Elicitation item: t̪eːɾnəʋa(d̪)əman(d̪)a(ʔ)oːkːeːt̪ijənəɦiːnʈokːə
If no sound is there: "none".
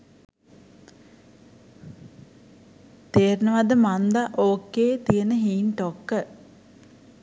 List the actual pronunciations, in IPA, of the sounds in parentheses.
d̪, d̪, ʔ

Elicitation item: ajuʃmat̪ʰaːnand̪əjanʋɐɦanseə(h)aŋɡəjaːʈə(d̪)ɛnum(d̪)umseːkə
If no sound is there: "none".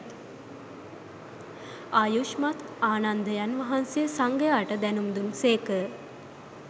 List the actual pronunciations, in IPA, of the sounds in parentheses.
s, d̪, d̪

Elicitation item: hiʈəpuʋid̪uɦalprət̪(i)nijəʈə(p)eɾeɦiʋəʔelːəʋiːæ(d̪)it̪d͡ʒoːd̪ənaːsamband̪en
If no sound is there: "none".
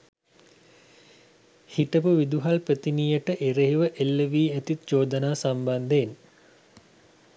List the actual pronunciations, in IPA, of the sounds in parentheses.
i, ʔ, t̪

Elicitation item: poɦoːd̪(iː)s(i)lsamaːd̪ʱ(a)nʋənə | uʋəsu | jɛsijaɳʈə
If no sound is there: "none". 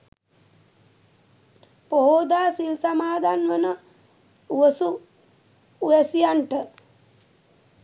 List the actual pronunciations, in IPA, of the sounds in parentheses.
aː, i, a

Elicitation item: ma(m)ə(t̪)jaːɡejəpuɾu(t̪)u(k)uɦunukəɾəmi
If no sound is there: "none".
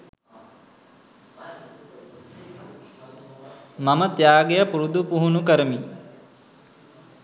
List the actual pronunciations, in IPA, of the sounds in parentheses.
m, t̪, d̪, p

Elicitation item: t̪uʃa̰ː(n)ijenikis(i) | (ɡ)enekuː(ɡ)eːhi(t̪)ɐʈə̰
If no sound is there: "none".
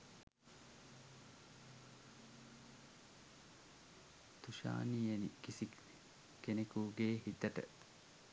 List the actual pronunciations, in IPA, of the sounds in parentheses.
n, i, k, ɡ, t̪

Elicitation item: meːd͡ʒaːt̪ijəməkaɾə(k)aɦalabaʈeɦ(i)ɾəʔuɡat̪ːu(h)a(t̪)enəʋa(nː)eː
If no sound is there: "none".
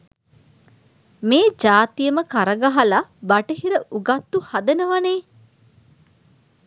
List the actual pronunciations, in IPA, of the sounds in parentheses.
ɡ, i, h, d̪, n

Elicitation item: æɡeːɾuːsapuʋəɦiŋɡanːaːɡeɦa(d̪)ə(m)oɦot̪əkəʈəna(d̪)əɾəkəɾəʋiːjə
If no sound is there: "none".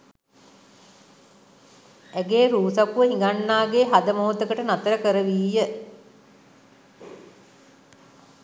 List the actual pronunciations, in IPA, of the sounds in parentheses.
d̪, m, t̪

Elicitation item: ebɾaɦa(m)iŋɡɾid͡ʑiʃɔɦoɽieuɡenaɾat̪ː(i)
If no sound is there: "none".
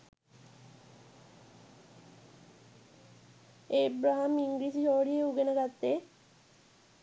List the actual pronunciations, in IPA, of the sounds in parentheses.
m, e

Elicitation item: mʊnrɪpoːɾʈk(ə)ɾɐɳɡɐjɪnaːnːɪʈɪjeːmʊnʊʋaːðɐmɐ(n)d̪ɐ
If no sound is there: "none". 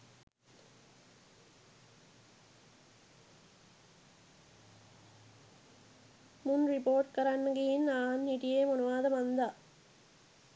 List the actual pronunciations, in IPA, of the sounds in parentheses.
ɐ, n

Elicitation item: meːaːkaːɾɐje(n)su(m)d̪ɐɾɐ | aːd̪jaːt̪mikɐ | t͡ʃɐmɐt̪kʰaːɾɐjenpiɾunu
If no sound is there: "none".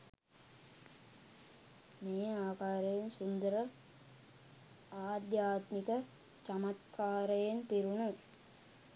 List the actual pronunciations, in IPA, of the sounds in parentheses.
n, n

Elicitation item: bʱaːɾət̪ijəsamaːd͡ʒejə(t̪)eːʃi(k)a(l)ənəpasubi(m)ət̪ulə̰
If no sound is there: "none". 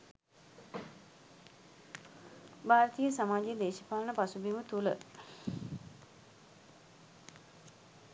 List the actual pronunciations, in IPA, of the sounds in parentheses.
d̪, p, l, m

